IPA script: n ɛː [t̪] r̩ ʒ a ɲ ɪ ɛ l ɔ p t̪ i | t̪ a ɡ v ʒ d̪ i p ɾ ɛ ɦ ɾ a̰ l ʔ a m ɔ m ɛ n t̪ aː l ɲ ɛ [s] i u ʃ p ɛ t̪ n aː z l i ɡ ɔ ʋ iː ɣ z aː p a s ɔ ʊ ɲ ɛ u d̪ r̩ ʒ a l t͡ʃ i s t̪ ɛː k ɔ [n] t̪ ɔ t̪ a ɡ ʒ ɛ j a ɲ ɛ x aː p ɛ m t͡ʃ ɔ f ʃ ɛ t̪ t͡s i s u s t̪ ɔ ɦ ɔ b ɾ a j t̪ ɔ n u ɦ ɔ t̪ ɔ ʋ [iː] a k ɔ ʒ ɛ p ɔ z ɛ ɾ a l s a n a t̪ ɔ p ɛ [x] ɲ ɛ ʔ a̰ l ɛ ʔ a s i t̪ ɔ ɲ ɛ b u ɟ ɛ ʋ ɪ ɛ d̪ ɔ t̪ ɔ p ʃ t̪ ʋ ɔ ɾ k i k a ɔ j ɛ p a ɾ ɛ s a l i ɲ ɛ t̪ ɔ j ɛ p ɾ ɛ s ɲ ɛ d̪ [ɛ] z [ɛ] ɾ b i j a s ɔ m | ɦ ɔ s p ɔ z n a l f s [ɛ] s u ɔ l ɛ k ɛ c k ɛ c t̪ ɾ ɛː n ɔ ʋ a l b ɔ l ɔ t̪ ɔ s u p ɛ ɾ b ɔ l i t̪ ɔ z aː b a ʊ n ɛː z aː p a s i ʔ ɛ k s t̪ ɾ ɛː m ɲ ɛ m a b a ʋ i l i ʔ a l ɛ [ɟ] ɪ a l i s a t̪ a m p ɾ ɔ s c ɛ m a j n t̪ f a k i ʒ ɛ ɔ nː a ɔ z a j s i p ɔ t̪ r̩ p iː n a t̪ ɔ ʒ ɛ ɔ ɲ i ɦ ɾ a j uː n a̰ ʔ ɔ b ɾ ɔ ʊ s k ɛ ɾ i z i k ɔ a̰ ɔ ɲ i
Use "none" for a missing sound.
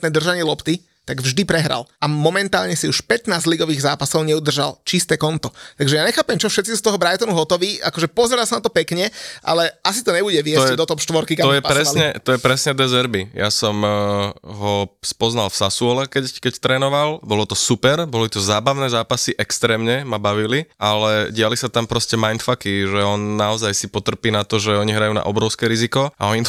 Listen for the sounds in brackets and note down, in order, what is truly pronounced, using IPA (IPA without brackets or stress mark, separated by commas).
d̪, s, n, iː, k, ɛ, ɛ, a, ɟ